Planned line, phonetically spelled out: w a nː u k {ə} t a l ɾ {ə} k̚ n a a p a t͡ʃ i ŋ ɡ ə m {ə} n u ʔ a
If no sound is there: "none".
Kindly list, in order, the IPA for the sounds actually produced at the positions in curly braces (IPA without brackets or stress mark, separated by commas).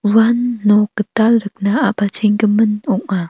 ə, ə, ə